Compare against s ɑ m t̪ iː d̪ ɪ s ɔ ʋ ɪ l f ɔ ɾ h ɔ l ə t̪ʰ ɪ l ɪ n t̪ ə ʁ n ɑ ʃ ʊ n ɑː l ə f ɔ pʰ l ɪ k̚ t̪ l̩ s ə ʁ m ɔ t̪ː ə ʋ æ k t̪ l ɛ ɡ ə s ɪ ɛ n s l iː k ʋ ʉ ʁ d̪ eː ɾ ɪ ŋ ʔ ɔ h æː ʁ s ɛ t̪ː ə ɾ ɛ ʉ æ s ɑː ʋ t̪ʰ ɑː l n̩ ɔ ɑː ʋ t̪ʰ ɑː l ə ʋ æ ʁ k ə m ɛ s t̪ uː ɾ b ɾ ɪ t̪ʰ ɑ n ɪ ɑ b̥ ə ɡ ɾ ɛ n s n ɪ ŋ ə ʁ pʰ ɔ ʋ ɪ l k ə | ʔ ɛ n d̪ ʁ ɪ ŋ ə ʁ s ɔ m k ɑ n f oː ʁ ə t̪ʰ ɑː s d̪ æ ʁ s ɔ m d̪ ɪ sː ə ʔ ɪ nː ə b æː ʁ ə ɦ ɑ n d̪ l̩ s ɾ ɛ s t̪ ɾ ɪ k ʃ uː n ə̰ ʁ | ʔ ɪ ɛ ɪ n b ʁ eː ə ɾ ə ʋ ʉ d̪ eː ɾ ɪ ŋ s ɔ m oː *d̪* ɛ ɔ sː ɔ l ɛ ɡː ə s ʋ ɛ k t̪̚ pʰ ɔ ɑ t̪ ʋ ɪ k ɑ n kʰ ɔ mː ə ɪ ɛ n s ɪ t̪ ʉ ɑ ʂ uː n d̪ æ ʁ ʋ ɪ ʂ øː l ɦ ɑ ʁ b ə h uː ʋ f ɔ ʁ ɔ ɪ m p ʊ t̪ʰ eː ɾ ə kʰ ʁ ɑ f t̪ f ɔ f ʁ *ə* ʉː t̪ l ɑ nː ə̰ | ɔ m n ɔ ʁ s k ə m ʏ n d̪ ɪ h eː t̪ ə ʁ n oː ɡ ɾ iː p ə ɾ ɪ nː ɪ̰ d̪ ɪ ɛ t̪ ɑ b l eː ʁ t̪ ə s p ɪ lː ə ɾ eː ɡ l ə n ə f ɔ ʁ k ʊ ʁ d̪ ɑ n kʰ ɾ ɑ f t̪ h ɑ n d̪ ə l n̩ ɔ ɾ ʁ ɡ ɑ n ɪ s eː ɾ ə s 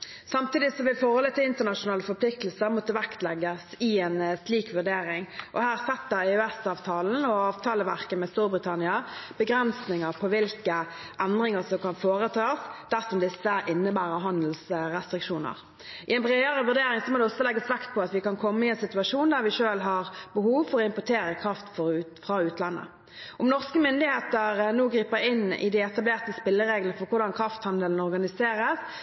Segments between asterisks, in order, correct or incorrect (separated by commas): correct, incorrect